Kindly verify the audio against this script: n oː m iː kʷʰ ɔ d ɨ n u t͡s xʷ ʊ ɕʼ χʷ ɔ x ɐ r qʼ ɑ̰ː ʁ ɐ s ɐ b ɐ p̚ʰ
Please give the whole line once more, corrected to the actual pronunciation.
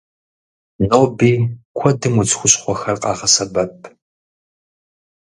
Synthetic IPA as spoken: n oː b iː kʷʰ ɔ d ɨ m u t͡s xʷ ʊ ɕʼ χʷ ɔ x ɐ r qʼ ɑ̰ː ʁ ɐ s ɐ b ɐ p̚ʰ